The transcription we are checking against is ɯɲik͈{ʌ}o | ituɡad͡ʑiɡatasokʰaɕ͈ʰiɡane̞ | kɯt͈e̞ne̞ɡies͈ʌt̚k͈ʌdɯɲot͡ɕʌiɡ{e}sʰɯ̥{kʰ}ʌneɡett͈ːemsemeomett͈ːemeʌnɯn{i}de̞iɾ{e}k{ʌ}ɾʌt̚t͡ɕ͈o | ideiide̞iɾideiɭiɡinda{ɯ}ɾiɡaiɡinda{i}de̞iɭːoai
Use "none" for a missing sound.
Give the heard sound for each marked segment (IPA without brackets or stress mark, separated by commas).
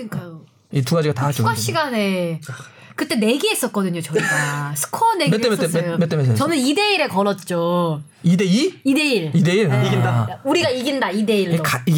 a, a, kʰ, i, e, ʌ, u, i